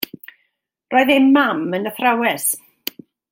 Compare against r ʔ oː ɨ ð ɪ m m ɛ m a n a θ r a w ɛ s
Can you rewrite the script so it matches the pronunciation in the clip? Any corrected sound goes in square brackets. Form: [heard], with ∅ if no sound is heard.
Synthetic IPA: r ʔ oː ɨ ð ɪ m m [a] m [ə] n [ə] θ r a w ɛ s